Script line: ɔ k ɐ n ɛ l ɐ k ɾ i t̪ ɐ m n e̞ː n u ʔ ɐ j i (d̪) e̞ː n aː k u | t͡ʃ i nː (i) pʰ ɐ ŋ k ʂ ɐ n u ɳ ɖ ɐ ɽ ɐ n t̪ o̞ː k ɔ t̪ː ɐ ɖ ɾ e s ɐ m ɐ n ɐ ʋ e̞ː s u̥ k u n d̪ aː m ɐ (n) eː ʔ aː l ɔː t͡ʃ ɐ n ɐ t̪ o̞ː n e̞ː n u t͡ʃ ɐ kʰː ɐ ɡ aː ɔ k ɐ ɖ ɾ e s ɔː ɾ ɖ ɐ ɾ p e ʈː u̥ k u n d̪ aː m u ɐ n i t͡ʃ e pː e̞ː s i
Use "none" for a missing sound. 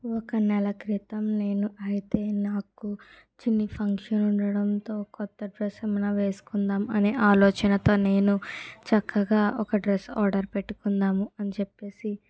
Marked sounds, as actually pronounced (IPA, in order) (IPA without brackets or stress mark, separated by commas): t̪, i, n